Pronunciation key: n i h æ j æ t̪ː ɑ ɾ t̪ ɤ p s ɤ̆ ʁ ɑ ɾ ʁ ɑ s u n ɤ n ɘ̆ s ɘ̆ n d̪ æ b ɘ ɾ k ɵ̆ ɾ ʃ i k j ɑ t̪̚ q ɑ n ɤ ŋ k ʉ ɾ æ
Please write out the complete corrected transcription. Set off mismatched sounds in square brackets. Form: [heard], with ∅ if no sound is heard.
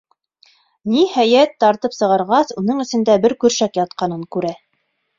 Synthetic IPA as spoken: n i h æ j æ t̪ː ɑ ɾ t̪ ɤ p s ɤ̆ ʁ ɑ ɾ ʁ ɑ s u n ɤ [ɴ] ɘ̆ s ɘ̆ n d̪ æ b ɘ ɾ k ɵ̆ ɾ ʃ [æ] k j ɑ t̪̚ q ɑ n ɤ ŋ k ʉ ɾ æ